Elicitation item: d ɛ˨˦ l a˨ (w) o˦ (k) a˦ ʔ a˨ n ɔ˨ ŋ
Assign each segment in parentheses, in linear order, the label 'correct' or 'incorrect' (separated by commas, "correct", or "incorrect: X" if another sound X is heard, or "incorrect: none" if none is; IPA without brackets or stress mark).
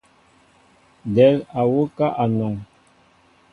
correct, correct